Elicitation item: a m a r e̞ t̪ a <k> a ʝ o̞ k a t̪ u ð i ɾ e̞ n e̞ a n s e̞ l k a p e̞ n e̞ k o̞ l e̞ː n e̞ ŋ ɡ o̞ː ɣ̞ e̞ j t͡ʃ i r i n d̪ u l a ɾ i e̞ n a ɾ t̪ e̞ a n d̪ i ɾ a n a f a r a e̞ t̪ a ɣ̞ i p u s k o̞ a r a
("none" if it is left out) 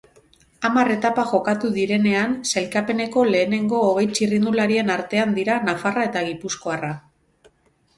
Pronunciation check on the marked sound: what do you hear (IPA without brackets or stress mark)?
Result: p